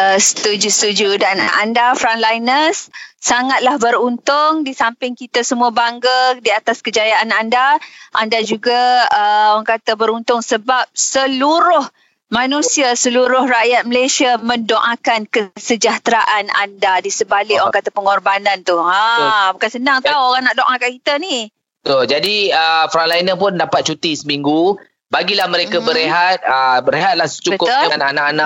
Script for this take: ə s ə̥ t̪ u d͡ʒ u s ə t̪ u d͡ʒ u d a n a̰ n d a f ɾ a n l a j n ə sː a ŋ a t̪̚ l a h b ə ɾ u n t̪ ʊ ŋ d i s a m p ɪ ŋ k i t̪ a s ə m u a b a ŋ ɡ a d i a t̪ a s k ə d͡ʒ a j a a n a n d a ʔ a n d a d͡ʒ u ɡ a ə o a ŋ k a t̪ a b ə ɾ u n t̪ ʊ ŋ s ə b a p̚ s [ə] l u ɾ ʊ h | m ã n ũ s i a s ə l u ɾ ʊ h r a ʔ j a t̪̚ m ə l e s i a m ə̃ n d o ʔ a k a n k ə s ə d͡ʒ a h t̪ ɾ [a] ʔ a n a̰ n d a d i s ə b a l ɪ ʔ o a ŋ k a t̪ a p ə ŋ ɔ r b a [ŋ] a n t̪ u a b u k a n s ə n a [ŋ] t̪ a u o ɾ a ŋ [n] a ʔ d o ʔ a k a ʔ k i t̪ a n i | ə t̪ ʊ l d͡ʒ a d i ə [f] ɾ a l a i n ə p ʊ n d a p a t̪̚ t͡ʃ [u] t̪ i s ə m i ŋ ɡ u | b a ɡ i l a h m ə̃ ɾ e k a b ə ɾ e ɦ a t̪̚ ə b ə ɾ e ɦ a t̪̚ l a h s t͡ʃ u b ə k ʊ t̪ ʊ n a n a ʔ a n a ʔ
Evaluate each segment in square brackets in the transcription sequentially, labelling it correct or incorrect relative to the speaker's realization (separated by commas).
correct, correct, incorrect, correct, correct, correct, correct